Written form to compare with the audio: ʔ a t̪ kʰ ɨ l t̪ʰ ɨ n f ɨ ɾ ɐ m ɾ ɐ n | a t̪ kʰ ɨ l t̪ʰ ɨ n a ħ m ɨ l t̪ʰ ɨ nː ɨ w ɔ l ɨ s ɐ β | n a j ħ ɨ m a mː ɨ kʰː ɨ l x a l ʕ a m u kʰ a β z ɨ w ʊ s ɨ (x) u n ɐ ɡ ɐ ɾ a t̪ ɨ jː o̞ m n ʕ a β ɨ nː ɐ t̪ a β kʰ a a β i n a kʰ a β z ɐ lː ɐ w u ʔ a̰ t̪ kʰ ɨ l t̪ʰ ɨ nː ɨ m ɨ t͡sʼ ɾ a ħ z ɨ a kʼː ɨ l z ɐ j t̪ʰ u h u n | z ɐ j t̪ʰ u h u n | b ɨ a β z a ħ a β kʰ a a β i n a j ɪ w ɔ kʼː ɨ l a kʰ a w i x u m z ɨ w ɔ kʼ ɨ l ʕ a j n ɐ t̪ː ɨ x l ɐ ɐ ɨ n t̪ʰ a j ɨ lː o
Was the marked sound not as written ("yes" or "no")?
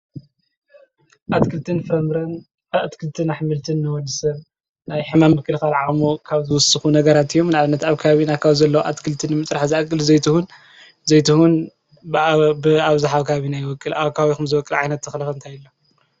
no